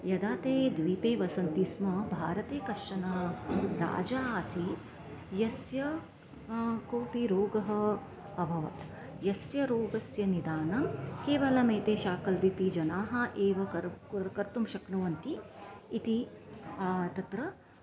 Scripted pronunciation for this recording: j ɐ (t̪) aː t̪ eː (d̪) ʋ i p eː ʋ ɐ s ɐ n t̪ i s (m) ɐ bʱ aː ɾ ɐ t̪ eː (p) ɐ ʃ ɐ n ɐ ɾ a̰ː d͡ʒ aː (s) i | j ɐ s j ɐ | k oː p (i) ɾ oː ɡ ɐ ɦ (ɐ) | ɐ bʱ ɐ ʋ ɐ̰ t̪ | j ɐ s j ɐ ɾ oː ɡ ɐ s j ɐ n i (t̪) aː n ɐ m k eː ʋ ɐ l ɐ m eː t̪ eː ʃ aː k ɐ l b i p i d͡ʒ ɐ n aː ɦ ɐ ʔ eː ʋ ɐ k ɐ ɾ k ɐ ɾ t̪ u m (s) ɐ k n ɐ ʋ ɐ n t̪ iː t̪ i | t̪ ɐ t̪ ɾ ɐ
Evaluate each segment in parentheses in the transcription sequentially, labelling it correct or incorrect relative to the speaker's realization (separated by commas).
incorrect, correct, correct, incorrect, correct, correct, correct, incorrect, incorrect